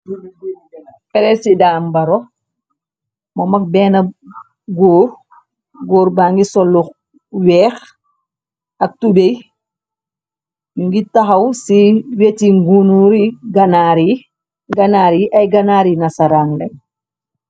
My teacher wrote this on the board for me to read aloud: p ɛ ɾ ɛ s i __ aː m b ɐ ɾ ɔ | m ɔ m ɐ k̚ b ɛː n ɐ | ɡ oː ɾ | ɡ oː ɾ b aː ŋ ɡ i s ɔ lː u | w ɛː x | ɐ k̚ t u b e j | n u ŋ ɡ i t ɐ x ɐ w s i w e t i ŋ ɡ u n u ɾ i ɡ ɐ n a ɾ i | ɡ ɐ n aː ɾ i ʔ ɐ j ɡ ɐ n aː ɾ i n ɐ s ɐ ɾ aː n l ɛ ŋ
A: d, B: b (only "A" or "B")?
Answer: A